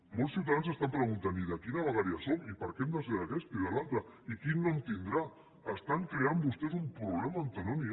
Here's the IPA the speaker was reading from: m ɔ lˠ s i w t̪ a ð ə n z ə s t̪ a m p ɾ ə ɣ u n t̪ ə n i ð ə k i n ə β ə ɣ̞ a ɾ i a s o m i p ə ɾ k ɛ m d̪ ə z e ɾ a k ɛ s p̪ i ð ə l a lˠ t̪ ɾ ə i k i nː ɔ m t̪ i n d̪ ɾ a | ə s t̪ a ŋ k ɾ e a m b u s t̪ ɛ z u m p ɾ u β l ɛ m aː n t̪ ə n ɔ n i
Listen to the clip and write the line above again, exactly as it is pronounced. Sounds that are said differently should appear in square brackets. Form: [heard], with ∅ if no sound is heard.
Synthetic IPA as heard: m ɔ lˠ s i w t̪ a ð [a] n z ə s t̪ a m p ɾ ə ɣ u n t̪ [a] n i ð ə k i n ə β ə ɣ̞ a ɾ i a s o m i p ə ɾ k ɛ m d̪ ə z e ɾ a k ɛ s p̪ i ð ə l a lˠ t̪ ɾ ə i k i nː ɔ m t̪ i n d̪ ɾ a | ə s t̪ a ŋ k ɾ e a m b u s t̪ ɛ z u m p ɾ u β l ɛ m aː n t̪ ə n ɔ n i

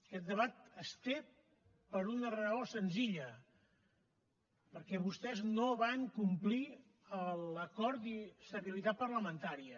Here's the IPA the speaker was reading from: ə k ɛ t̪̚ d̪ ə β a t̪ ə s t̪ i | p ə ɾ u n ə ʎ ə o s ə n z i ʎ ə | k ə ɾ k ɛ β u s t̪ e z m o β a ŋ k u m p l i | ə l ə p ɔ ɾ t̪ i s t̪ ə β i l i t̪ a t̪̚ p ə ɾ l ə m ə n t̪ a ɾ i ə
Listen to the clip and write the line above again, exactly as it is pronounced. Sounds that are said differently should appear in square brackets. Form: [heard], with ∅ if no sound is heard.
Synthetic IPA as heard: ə k ɛ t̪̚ d̪ ə β a t̪ ə s t̪ [e] | p ə ɾ u n ə [r] ə o s ə n z i ʎ ə | [p] ə ɾ k ɛ β u s t̪ [ɛ] z [n] o β a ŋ k u m p l i | ə l ə [k] ɔ ɾ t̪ i s t̪ ə β i l i t̪ a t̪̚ p ə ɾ l ə m ə n t̪ a ɾ i ə

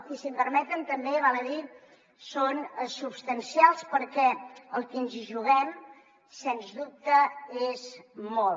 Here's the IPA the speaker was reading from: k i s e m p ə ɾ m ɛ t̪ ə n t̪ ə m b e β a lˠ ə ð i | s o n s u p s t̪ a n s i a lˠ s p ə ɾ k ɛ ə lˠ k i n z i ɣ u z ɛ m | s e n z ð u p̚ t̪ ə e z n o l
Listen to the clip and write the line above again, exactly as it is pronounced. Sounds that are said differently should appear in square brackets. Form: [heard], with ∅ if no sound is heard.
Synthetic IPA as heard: k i s [i] m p ə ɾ m ɛ t̪ ə n t̪ ə m b e β a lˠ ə ð i | s o n s u p s t̪ [ə] n s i a lˠ s p ə ɾ k ɛ ə lˠ k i n z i [ʒ] u [ɣ] ɛ m | s e n z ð u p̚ t̪ ə e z [m] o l

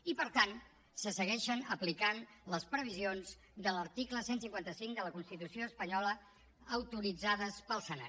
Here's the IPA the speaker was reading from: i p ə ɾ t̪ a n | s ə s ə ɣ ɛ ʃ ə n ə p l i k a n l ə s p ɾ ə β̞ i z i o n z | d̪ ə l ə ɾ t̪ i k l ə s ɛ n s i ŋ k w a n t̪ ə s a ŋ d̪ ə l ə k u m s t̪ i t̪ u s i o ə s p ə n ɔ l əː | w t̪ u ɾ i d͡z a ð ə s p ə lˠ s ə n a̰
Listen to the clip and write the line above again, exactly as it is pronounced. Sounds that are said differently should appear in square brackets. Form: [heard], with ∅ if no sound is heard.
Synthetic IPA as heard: i p ə ɾ t̪ a n | s ə s ə ɣ ɛ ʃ ə n ə p l i k a n l ə s p ɾ ə β̞ i z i o n z | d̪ ə l ə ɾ t̪ i k l ə s [e] n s i ŋ k w a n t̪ ə s [i] ŋ d̪ ə l ə k u [n] s t̪ i t̪ u s i o ə s p ə [ɲ] ɔ l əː | w t̪ u ɾ i d͡z a ð ə s p ə lˠ s ə n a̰

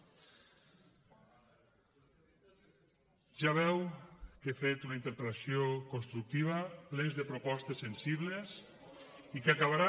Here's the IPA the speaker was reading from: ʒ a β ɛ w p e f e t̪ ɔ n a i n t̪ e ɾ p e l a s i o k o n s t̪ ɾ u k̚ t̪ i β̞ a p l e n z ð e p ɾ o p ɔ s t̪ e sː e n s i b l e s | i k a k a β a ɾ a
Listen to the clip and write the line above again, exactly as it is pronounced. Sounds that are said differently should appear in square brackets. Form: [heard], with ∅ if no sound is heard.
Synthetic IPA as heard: ʒ a β ɛ w [k] e f e t̪ [u] n a i n t̪ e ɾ p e l a s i o k o n s t̪ ɾ u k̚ t̪ i β̞ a p l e n z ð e p ɾ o p ɔ s t̪ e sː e n s i [β] l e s | i k a k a β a ɾ a

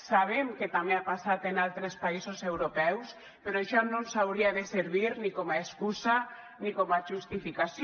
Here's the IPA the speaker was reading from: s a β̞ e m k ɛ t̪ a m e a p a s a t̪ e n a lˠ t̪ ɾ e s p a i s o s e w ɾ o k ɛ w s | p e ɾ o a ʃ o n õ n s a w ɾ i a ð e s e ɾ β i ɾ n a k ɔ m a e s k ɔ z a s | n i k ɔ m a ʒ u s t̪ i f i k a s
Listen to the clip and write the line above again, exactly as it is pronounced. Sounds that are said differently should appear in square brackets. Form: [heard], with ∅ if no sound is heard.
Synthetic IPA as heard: s a β̞ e m k [e] t̪ a m e a p a s a t̪ e n a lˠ t̪ ɾ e s p a i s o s e w ɾ o [p] ɛ w s | p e ɾ o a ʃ [ɔ] n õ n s a w ɾ i a ð e s e ɾ β i ɾ n [i] k ɔ m a e s k [u] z a [∅] | n i k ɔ m a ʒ u s t̪ i f i k a s

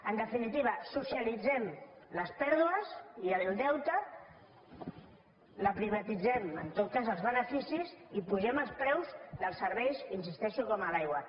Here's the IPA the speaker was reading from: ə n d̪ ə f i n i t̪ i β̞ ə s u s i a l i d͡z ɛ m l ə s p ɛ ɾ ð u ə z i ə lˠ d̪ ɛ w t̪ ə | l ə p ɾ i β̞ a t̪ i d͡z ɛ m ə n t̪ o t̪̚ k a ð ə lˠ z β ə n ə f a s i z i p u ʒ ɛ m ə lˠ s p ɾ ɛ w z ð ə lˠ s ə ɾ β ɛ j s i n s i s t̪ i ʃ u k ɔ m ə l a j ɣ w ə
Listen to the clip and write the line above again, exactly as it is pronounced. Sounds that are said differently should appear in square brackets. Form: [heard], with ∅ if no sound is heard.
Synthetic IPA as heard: ə n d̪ ə f i n i t̪ i β̞ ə s u s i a l i d͡z ɛ m l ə s p ɛ ɾ ð u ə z i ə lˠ d̪ ɛ w t̪ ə | l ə p ɾ i β̞ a t̪ i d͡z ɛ m ə n t̪ o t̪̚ k a [z] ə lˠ z β ə n ə f [i] s i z i p u ʒ ɛ m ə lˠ s p ɾ ɛ w z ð ə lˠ s ə ɾ β ɛ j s i n s i s t̪ [ɛ] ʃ u k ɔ m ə l a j ɣ w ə

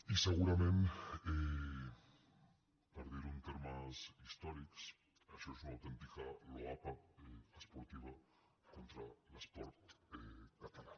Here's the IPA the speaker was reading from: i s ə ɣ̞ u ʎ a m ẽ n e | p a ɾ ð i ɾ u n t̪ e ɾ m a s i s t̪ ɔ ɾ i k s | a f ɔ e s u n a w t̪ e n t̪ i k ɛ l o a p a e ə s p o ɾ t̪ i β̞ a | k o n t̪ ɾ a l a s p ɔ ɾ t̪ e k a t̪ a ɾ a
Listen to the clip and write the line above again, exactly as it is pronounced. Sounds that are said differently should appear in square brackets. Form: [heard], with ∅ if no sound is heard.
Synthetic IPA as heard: i s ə ɣ̞ u [ɾ] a m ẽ n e | p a ɾ ð i ɾ u n t̪ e ɾ m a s i s t̪ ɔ ɾ i k s | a [ʃ] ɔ e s u n a w t̪ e n t̪ i k [a] l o a p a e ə s p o ɾ t̪ i β̞ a | k o n t̪ ɾ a l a s p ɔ ɾ t̪ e k a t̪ a [l] a

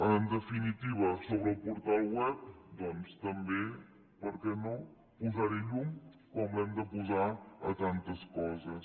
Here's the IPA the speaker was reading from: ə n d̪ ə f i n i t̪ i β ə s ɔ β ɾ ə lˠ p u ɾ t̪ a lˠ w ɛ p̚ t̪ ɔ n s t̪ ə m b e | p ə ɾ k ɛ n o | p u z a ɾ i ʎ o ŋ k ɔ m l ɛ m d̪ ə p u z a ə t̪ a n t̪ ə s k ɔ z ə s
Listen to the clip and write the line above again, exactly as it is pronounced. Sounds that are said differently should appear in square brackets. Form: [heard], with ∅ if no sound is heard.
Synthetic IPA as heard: ə n d̪ ə f i n i t̪ i β ə s [o] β ɾ ə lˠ p u ɾ t̪ a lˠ w ɛ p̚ [d̪] ɔ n s t̪ ə m b e | p ə ɾ k ɛ n o | p u z a ɾ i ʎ [u] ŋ k ɔ m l ɛ m d̪ ə p u z a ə t̪ a n t̪ ə s k ɔ z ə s

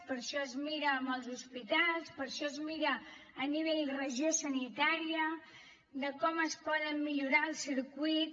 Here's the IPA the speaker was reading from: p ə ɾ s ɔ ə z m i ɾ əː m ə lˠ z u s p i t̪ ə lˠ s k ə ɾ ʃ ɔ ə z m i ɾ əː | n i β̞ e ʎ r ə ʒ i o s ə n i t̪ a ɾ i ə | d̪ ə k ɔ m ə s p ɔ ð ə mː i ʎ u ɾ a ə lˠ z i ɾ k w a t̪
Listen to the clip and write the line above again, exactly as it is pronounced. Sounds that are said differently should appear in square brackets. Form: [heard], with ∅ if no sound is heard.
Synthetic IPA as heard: p ə ɾ [ʃ] ɔ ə z m i ɾ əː m ə lˠ z u s p i t̪ [a] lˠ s [p] ə ɾ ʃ ɔ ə z m i ɾ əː | n i β̞ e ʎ r ə ʒ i o s ə n i t̪ a ɾ i ə | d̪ ə k ɔ m ə s p ɔ ð ə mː i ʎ u ɾ a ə lˠ [s] i ɾ k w [i] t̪

